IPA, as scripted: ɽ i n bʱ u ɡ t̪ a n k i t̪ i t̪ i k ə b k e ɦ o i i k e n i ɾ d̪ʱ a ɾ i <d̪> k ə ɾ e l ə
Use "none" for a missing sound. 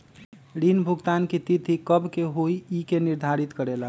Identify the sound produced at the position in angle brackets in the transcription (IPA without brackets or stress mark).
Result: t̪